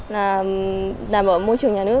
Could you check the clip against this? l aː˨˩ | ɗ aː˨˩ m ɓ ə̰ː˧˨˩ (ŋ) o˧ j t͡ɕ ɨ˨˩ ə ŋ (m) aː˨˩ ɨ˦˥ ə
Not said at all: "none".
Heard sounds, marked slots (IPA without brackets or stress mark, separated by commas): m, ɲ